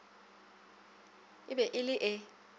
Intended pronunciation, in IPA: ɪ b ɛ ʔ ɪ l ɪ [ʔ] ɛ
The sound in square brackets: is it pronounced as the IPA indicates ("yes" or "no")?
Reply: yes